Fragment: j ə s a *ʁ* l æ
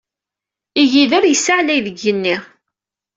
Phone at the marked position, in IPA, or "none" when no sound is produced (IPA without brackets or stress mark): ʕ